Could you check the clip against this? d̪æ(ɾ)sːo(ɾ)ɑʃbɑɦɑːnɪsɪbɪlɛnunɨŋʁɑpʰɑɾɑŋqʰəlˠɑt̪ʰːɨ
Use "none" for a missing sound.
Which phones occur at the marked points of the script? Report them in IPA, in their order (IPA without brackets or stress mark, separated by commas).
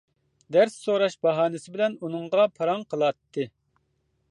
ɾ, ɾ